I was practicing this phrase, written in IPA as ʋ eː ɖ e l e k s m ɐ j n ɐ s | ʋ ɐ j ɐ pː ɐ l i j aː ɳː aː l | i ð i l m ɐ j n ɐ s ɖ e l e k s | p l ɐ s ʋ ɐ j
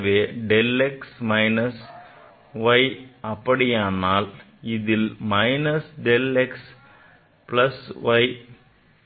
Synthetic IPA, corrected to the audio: ʋ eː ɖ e l e k s m ɐ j n ɐ s | ʋ ɐ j ɐ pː ɐ ɽ i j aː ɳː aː l | i ð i l m ɐ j n ɐ s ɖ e l e k s | p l ɐ s ʋ ɐ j